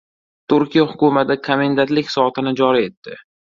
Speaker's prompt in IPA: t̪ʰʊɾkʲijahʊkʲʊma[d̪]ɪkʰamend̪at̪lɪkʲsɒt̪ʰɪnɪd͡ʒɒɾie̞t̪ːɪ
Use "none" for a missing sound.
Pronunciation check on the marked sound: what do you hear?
t̪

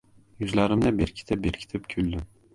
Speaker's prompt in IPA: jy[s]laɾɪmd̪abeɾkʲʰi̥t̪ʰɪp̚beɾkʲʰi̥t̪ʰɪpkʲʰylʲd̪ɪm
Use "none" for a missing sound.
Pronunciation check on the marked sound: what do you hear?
z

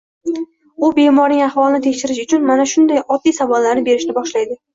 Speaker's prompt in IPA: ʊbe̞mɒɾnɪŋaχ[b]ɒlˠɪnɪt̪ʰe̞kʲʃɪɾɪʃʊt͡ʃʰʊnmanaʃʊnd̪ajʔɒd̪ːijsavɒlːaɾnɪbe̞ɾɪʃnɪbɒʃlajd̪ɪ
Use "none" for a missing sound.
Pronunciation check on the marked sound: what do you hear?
v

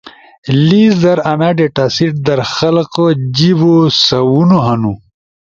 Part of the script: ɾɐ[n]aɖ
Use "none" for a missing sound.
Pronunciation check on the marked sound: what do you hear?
n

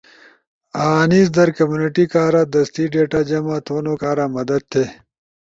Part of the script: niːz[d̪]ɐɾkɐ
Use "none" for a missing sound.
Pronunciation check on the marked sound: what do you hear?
d̪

